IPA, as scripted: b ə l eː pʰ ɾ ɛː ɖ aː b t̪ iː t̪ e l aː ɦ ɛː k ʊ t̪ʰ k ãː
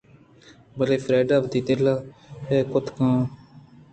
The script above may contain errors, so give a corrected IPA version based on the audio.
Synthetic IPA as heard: b ə l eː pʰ ɾ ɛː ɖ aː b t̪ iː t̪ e l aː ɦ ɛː k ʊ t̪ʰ k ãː